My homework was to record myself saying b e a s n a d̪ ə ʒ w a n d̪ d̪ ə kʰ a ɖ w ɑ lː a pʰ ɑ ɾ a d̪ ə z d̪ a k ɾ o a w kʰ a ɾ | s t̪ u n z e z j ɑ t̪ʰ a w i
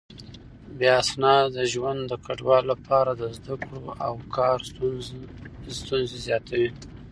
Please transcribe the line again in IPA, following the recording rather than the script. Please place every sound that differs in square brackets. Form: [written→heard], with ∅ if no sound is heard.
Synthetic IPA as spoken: b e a s n [a→ɑ] d̪ ə ʒ w a n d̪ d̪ ə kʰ a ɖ w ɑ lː a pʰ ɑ ɾ a d̪ ə z d̪ a k [ɾ→ɽ] o a w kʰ [a→ɑ] ɾ | s t̪ u n z e z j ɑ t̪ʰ a w i